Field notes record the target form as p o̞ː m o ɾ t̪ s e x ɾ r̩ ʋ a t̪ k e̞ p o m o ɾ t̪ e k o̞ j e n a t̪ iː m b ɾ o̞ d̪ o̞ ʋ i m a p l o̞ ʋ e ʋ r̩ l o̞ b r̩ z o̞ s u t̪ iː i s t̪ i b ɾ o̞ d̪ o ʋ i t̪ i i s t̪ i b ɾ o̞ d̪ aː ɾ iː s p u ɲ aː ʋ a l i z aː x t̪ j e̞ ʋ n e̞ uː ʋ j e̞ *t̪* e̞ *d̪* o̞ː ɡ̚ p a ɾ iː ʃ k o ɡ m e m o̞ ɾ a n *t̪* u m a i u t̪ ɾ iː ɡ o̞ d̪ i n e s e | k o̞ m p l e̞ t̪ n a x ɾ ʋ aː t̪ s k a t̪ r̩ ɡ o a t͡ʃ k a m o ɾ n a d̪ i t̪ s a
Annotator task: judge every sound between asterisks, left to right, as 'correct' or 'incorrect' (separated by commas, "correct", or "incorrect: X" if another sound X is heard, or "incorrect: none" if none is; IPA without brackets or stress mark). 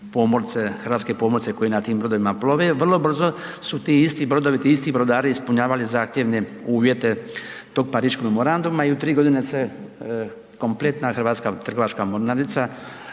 correct, incorrect: t̪, incorrect: d̪